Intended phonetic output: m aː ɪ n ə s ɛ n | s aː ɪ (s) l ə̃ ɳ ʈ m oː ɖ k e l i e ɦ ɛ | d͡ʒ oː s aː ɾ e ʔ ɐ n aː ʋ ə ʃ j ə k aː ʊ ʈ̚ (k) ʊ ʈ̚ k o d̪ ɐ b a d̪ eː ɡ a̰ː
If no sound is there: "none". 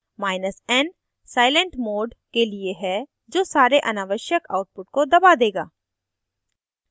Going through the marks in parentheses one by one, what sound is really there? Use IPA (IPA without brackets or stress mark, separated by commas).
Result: none, p